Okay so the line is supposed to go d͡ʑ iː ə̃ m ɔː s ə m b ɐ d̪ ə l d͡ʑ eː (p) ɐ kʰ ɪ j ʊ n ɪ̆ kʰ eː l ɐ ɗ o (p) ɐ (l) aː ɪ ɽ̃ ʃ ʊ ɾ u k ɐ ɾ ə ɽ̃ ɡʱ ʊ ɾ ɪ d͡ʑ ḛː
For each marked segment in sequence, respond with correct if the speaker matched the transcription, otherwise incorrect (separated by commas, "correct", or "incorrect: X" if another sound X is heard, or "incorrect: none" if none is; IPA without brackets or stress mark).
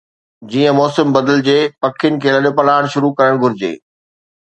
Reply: correct, correct, correct